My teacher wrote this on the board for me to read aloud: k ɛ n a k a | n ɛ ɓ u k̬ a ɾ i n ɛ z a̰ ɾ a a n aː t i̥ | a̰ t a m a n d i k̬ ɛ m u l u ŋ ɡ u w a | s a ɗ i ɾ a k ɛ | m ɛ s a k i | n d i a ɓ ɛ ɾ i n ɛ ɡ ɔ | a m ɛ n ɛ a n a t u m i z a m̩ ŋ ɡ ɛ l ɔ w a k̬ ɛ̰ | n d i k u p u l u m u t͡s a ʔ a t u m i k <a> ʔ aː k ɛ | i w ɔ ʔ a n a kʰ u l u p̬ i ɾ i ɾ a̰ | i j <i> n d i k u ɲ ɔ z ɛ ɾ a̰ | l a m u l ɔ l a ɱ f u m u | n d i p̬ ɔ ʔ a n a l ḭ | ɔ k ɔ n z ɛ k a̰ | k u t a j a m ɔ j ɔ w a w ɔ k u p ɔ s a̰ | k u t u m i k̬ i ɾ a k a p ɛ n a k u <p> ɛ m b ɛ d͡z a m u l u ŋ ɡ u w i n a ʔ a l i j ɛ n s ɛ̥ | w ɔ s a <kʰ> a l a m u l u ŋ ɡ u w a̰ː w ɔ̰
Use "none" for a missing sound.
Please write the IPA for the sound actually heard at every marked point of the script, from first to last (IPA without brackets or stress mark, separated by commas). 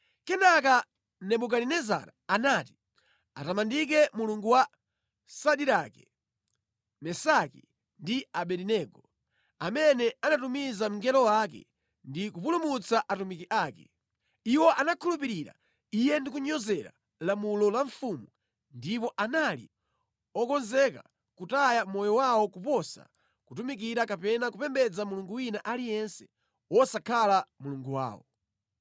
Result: i, ɛ, p, kʰ